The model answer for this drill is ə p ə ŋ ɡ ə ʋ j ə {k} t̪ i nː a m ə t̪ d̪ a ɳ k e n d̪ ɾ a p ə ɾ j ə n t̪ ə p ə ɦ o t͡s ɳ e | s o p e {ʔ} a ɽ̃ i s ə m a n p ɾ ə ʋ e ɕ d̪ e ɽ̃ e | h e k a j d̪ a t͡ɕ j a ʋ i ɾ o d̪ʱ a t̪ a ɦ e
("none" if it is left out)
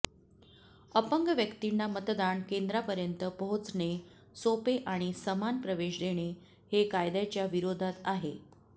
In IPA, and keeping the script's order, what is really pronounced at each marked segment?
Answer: k, ʔ

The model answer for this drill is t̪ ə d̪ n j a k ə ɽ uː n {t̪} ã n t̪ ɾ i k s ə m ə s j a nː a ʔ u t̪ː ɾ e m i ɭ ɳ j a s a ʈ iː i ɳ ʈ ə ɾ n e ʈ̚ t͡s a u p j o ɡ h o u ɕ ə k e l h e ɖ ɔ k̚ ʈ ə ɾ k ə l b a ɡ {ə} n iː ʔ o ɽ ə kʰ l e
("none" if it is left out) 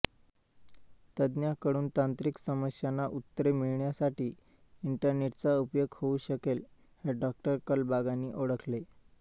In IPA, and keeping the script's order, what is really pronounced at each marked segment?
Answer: t̪, a

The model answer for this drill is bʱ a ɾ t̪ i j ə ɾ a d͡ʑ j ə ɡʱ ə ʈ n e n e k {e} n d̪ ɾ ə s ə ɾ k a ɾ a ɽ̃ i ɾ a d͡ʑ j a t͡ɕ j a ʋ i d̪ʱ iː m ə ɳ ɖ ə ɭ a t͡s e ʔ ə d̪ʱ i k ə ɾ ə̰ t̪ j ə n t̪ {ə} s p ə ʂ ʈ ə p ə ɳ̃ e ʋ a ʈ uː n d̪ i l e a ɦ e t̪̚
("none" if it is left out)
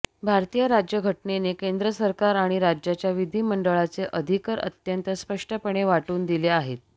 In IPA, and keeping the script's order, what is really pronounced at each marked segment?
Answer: e, ə

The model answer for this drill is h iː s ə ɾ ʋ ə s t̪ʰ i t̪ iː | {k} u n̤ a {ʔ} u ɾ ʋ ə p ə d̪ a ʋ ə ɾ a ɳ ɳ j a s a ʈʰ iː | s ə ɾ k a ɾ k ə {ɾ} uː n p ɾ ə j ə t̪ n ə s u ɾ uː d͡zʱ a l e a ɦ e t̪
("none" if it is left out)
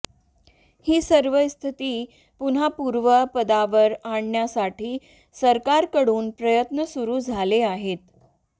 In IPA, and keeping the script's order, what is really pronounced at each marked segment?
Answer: p, p, ɽ

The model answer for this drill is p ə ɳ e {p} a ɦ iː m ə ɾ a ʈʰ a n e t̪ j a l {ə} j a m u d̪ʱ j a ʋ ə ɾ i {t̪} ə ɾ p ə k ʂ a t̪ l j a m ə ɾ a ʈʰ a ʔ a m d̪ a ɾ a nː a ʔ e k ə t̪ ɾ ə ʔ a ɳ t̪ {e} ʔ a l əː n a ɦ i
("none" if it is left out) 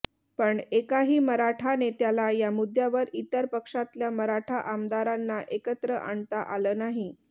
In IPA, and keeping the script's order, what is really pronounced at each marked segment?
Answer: k, a, t̪, a

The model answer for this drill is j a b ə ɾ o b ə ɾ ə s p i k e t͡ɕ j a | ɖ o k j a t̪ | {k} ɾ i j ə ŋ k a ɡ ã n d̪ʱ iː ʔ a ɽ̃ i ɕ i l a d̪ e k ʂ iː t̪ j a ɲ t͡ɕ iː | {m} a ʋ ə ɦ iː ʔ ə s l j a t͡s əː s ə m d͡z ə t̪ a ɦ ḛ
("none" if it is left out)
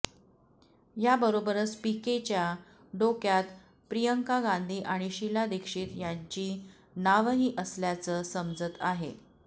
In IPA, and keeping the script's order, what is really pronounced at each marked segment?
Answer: p, n

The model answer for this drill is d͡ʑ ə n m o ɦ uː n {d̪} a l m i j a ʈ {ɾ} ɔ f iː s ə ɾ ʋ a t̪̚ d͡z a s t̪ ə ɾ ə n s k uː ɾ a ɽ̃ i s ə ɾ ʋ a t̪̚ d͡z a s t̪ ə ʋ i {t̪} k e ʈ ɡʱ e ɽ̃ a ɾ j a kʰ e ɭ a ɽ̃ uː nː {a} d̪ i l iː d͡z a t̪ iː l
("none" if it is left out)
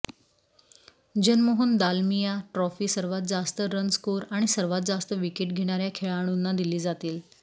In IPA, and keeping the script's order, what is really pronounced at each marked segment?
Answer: d̪, ɾ, none, a

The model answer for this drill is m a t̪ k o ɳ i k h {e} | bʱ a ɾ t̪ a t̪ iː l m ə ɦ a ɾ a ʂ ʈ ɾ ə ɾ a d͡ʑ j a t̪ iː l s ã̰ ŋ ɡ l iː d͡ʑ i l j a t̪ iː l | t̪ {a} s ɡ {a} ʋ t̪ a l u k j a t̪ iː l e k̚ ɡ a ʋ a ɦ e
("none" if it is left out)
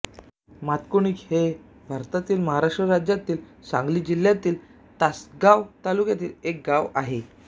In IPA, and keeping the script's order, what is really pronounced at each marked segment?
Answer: e, a, a

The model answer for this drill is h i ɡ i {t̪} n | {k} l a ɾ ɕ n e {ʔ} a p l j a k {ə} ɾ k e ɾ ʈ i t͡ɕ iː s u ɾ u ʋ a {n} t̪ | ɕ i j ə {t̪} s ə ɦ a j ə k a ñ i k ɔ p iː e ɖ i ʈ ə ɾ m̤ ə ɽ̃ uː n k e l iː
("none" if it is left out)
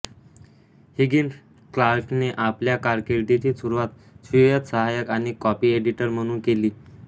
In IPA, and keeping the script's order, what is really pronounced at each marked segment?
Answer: none, k, ʔ, a, none, t̪

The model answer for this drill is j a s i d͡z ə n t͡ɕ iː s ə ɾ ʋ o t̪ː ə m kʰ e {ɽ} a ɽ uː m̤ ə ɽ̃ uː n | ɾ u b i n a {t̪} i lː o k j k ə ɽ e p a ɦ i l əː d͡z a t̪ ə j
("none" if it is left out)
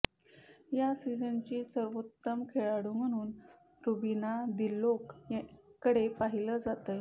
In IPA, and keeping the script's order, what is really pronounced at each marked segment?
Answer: ɭ, d̪

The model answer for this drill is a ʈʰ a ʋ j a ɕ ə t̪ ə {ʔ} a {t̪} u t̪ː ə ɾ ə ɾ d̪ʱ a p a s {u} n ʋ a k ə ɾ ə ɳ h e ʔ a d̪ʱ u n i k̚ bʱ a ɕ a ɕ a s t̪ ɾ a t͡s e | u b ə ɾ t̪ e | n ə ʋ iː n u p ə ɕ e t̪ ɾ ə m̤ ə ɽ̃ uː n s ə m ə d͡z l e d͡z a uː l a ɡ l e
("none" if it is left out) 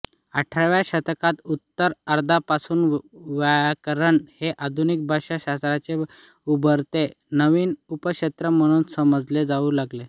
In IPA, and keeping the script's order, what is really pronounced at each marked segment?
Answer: k, t̪, uː

